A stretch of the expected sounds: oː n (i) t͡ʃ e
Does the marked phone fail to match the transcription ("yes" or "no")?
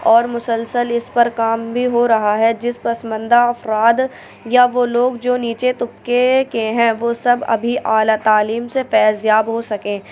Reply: yes